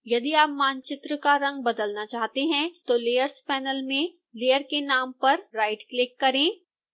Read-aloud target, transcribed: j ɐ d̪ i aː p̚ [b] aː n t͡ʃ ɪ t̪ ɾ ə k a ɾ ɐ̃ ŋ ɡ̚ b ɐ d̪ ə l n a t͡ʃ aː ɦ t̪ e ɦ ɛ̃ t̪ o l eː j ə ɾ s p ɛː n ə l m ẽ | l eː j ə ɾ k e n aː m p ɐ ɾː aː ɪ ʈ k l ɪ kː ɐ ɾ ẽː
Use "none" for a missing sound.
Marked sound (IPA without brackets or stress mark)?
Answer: m